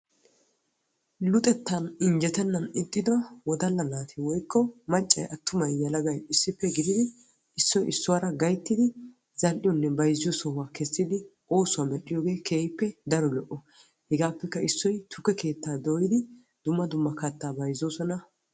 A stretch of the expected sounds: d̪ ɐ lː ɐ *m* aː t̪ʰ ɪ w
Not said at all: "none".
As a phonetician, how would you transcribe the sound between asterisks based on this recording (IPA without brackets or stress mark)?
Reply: n